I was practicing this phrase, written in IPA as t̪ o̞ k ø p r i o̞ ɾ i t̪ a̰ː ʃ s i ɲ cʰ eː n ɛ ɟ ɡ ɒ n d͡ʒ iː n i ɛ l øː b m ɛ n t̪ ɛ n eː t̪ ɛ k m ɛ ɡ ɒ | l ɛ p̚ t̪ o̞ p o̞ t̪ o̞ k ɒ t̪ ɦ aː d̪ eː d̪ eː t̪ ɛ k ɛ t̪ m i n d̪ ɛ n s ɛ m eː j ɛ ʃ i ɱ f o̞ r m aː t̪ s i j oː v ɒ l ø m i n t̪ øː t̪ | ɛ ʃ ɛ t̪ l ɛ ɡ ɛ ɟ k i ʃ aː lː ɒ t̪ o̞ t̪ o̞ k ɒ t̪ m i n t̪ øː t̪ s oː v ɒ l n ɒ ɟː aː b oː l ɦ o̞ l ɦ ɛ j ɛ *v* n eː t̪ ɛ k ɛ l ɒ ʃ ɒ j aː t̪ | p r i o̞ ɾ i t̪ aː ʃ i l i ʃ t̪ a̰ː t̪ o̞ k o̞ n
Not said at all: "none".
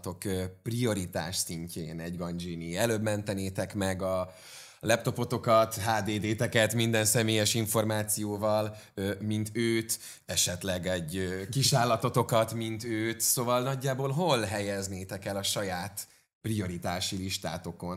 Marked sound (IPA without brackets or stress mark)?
z